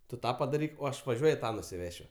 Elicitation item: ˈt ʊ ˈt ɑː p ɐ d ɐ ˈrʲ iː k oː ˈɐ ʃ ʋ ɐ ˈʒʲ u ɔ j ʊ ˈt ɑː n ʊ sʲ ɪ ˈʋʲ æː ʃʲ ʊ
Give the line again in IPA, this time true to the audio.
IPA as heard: ˈt ʊ ˈt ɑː p ɐ d ɐ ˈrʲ iː k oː ˈɐ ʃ ʋ ɐ ˈʒʲ u ɔ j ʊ ˈt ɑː n ʊ sʲ ɪ ˈʋʲ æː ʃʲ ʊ

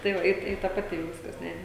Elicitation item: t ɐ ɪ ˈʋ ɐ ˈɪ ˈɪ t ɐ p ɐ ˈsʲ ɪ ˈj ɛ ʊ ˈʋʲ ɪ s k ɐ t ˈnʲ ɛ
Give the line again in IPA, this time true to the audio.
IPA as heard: t ɐ ɪ ˈʋ ɐ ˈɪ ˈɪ t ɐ p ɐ ˈtʲ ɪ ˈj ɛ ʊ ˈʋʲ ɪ s k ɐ s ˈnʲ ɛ

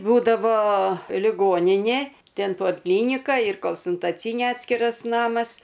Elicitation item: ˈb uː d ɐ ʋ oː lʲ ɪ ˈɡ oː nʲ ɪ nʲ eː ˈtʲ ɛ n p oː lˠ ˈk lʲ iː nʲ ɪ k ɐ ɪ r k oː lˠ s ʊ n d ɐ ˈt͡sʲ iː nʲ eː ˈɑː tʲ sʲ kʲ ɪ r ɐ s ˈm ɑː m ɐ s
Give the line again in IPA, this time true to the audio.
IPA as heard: ˈb uː d ɐ ʋ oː lʲ ɪ ˈɡ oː nʲ ɪ nʲ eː ˈtʲ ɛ n p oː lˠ ˈk lʲ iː nʲ ɪ k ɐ ɪ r k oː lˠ s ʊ n t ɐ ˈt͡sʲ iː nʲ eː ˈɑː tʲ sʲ kʲ ɪ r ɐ s ˈn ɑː m ɐ s

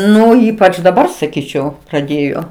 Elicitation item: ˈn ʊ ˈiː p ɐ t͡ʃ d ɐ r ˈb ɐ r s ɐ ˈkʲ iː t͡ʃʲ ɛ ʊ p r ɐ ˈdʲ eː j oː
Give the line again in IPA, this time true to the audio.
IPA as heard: ˈn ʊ ˈiː p ɐ t͡ʃ d ɐ ˈb ɐ r s ɐ ˈkʲ iː t͡ʃʲ ɛ ʊ p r ɐ ˈdʲ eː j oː

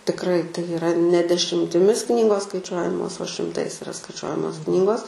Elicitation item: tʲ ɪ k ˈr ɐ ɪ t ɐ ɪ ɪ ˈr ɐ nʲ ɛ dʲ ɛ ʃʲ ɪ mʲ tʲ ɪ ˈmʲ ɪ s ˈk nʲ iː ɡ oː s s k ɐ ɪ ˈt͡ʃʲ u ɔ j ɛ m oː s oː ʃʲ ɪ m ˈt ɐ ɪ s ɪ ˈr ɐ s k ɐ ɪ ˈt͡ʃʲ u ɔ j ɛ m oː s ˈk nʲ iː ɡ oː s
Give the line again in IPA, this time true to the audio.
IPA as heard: tʲ ɪ k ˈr ɐ ɪ t ɐ ɪ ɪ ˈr ɐ nʲ ɛ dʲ ɛ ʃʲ ɪ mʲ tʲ ɪ ˈmʲ ɪ s ˈk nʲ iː ɡ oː s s k ɐ ɪ ˈt͡ʃʲ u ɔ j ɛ m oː s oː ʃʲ ɪ m ˈt ɐ ɪ s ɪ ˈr ɐ s k ɐ ɪ ˈt͡ʃʲ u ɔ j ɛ m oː s ˈk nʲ iː ɡ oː s

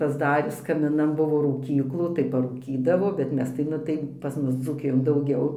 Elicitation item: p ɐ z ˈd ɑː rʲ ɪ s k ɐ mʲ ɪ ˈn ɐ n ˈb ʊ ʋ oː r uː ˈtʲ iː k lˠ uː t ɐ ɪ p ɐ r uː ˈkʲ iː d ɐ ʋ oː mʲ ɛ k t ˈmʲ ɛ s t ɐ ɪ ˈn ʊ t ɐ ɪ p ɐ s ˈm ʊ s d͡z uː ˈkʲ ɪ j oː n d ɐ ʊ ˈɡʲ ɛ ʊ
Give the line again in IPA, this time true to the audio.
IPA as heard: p ɐ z ˈd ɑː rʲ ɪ s k ɐ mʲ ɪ ˈn ɐ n ˈb ʊ ʋ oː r uː ˈkʲ iː k lˠ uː t ɐ ɪ p ɐ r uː ˈkʲ iː d ɐ ʋ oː bʲ ɛ t ˈmʲ ɛ s t ɐ ɪ ˈn ʊ t ɐ ɪ p ɐ s ˈm ʊ s d͡z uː ˈkʲ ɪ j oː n d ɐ ʊ ˈɡʲ ɛ ʊ

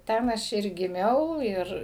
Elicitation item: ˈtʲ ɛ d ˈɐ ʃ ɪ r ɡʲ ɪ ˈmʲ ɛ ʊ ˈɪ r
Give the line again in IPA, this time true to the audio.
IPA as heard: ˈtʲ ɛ n ˈɐ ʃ ɪ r ɡʲ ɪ ˈmʲ ɛ ʊ ˈɪ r

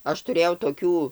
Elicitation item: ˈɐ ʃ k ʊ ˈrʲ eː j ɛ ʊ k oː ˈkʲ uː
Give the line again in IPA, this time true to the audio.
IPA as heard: ˈɐ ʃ t ʊ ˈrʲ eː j ɛ ʊ t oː ˈkʲ uː

